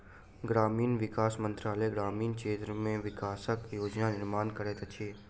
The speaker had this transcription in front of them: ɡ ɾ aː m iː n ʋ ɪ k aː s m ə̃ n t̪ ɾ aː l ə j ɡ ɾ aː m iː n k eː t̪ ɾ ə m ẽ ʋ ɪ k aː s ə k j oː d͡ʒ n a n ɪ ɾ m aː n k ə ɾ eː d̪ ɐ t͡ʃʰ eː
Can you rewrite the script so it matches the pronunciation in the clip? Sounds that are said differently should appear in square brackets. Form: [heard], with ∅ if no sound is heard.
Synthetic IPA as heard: ɡ ɾ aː m iː n ʋ ɪ k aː s m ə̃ n t̪ ɾ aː l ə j ɡ ɾ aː m iː n k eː t̪ ɾ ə m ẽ ʋ ɪ k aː s ə k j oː d͡ʒ n a n ɪ ɾ m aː n k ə ɾ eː [t̪] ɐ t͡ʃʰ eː